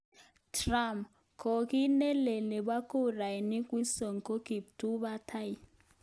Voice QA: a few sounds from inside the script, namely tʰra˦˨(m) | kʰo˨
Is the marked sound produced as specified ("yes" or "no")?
yes